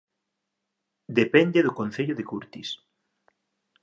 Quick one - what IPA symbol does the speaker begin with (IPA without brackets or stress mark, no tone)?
d̪